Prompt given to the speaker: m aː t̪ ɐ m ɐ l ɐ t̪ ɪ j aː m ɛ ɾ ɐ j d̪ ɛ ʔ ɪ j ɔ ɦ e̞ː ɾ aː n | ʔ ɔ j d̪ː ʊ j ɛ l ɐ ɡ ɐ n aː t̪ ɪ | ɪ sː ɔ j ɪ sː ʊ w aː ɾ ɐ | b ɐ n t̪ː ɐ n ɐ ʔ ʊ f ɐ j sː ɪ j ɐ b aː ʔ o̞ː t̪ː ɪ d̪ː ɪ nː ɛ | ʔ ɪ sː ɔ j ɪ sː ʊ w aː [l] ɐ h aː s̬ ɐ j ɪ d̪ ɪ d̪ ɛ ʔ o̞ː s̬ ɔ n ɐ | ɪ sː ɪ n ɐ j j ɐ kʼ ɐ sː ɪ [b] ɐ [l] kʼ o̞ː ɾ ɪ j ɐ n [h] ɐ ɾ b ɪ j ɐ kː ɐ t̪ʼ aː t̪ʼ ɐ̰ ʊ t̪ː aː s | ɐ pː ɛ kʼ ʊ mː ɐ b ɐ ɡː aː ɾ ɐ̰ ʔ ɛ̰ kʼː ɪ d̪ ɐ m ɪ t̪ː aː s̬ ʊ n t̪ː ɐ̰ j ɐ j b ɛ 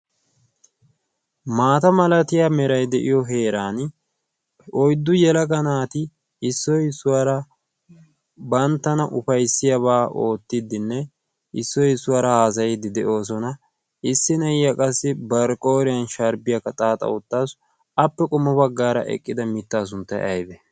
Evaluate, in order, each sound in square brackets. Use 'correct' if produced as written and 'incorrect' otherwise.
incorrect, correct, incorrect, incorrect

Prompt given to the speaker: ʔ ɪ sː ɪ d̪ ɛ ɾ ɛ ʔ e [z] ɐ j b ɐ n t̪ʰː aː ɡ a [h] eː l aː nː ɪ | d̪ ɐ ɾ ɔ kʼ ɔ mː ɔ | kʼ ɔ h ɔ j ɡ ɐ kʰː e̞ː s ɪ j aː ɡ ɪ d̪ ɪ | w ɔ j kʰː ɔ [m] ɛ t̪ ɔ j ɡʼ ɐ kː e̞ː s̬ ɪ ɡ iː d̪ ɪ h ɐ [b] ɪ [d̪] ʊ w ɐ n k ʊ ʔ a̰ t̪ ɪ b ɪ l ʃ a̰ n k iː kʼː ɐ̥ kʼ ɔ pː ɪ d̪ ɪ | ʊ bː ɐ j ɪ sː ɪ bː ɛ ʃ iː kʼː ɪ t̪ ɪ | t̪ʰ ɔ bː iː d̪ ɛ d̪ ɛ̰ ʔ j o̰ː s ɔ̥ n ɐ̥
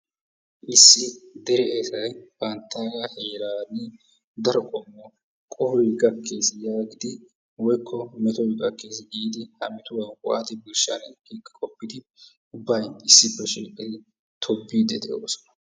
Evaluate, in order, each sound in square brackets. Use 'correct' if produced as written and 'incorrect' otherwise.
incorrect, correct, correct, incorrect, incorrect

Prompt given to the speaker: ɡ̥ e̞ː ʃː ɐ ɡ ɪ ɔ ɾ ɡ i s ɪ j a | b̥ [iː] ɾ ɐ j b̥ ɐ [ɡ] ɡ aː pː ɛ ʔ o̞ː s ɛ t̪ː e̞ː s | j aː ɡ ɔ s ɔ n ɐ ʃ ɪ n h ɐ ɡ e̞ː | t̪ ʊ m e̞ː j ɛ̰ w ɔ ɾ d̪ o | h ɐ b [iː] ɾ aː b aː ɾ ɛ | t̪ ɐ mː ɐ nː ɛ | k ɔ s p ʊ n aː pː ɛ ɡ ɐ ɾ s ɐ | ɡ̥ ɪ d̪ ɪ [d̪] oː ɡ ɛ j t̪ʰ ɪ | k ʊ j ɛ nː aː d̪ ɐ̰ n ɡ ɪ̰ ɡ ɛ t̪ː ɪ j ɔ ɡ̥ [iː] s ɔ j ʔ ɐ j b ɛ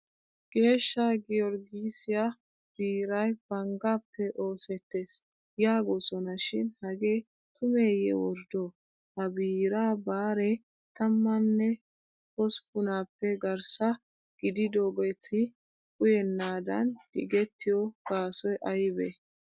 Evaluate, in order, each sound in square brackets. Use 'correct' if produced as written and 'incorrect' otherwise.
correct, incorrect, correct, correct, incorrect

